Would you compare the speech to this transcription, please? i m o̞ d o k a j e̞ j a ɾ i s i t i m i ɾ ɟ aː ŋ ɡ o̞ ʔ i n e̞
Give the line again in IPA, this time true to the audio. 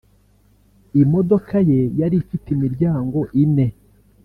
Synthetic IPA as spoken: i m o̞ d o k a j e̞ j a ɾ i f i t i m i ɾ ɟ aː ŋ ɡ o̞ ʔ i n e̞